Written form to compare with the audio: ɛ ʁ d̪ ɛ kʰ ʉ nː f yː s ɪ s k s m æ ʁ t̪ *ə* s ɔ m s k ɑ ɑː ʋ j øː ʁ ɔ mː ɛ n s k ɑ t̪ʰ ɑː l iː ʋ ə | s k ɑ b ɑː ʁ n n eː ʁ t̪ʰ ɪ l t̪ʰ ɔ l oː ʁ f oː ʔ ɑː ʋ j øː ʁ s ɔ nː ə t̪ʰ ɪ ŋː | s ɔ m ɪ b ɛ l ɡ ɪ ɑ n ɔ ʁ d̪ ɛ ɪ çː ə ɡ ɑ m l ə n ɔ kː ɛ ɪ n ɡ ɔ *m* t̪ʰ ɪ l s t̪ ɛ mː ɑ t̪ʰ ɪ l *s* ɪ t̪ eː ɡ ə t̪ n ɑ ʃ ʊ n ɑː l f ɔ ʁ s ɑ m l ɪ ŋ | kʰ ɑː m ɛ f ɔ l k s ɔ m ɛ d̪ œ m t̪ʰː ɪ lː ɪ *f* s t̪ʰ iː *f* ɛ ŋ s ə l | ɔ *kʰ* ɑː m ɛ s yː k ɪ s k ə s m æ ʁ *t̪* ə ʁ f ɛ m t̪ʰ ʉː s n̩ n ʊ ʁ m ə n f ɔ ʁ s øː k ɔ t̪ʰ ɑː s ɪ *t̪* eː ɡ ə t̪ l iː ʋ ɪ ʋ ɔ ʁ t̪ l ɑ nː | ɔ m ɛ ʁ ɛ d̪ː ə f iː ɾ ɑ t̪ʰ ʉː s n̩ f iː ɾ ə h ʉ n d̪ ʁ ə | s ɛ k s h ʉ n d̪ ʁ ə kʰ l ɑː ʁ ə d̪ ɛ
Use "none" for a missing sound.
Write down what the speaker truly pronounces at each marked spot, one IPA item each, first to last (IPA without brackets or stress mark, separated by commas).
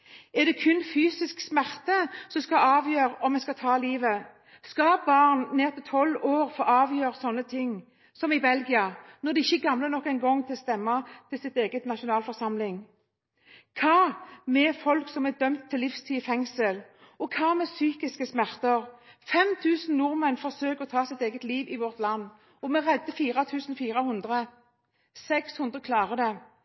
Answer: ə, ŋ, s, f, f, kʰ, t̪, t̪